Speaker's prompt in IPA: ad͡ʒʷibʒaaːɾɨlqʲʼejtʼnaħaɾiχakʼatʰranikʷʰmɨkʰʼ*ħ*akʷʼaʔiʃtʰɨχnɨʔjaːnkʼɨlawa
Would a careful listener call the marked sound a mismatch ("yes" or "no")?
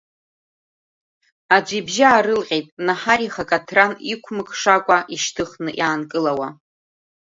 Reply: yes